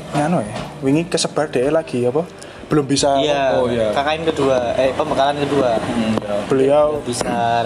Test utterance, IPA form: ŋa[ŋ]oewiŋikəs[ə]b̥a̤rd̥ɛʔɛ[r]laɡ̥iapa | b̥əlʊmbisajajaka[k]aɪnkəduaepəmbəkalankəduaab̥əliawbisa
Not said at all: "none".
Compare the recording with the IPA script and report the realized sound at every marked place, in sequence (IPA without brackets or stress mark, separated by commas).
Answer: n, ə, none, k